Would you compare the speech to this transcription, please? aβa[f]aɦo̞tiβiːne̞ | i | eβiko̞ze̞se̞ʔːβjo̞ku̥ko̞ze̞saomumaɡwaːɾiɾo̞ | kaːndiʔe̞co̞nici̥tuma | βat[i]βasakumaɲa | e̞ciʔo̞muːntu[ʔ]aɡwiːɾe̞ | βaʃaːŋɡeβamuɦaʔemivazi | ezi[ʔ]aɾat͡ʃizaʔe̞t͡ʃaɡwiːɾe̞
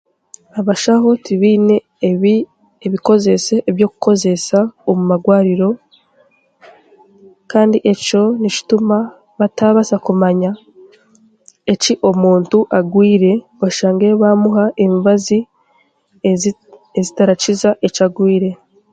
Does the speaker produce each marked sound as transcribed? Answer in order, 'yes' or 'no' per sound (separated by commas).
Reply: no, no, yes, no